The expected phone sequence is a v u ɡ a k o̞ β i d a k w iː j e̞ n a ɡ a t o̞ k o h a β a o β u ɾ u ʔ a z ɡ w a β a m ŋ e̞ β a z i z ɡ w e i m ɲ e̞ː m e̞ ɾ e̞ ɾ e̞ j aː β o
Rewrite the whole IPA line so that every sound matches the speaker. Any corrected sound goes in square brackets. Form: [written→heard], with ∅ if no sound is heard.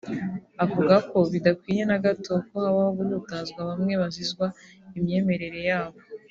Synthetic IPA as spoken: a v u ɡ a k o̞ β i d a k w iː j e̞ n a ɡ a t o̞ k o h a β a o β u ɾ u [ʔ→t] a z ɡ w a β a m ŋ e̞ β a z i z ɡ w [e→a] i m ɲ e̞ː m e̞ ɾ e̞ ɾ e̞ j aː β o